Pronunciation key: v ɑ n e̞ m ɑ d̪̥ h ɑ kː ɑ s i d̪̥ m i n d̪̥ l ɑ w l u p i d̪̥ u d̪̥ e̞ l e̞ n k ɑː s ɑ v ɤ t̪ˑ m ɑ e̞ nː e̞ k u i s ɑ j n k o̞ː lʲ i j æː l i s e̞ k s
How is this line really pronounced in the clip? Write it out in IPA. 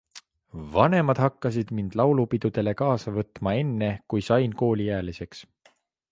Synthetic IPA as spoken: v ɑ n e̞ m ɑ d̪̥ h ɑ kː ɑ s i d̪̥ m i n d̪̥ l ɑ w l u p i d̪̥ u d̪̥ e̞ l e̞ k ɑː s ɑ v ɤ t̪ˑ m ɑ e̞ nː e̞ k u j s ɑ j n k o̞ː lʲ i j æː l i s e̞ k s